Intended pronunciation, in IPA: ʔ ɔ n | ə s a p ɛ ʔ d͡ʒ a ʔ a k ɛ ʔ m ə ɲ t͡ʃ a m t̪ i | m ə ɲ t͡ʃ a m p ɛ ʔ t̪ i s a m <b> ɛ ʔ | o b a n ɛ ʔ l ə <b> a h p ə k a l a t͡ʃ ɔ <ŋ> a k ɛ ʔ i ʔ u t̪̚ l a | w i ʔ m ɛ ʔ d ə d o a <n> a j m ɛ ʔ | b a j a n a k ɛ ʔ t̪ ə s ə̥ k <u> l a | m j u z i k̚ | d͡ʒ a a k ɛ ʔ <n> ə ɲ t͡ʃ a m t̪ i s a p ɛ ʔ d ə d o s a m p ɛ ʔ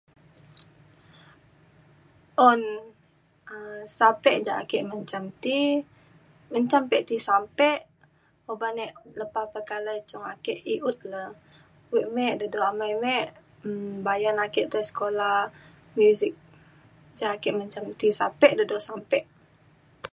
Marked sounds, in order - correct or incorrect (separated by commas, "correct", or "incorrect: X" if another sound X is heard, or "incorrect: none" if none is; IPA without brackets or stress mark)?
incorrect: p, incorrect: p, correct, incorrect: m, incorrect: o, incorrect: m